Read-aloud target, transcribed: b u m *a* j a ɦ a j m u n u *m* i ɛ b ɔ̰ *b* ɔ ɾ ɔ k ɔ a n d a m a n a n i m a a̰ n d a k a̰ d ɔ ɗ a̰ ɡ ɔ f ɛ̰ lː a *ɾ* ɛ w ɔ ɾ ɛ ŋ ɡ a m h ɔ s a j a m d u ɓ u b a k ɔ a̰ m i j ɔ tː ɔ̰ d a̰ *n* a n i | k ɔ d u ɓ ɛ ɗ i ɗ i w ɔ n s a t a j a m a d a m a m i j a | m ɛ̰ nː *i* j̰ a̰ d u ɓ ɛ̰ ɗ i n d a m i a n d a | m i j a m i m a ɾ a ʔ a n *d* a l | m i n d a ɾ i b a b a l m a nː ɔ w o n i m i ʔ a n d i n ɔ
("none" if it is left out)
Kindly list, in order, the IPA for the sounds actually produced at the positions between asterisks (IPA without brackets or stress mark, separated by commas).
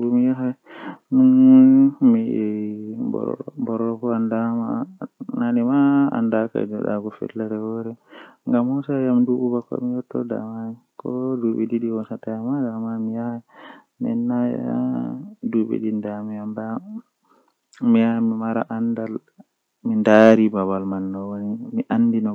i, m, b, ɾ, m, a, d